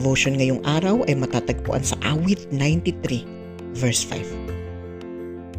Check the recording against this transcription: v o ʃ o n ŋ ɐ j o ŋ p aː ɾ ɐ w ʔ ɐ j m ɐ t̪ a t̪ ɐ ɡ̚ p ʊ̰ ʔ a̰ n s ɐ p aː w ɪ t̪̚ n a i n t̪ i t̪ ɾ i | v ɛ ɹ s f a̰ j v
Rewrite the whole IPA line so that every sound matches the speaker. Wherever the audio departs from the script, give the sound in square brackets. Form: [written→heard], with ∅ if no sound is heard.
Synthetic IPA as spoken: v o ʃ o n ŋ ɐ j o ŋ [p→ʔ] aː ɾ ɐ w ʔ ɐ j m ɐ t̪ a t̪ ɐ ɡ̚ p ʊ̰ ʔ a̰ n s ɐ [p→ʔ] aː w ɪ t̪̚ n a [i→j] n t̪ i t̪ ɾ i | v ɛ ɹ s f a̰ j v